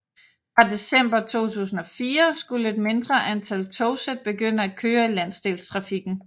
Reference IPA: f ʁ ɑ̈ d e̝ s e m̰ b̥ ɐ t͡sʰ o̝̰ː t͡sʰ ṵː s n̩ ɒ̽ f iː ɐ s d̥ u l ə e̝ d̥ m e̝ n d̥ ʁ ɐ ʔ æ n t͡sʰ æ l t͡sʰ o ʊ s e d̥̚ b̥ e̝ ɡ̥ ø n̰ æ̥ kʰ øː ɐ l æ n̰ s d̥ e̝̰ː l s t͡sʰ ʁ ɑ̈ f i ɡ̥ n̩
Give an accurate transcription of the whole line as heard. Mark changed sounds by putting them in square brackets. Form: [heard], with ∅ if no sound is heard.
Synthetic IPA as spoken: f ʁ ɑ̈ d e̝ s e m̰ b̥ ɐ t͡sʰ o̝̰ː t͡sʰ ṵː s n̩ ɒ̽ f iː ɐ s [ɡ̥] u l ə e̝ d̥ m e̝ n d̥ ʁ ɐ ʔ æ n t͡sʰ æ l t͡sʰ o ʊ s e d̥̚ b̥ e̝ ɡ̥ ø n̰ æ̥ kʰ øː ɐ l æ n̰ s d̥ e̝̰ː l s t͡sʰ ʁ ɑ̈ f i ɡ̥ n̩